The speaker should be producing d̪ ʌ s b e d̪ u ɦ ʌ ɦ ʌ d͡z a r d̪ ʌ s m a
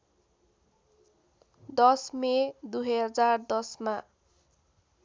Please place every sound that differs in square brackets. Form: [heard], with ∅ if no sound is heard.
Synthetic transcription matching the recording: d̪ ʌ s [m] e d̪ u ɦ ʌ ɦ ʌ d͡z a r d̪ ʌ s m a